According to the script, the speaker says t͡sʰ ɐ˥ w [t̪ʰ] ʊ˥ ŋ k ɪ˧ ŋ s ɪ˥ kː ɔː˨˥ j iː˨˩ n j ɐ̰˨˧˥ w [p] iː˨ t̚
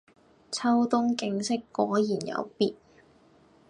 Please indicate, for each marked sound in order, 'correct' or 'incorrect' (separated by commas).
incorrect, correct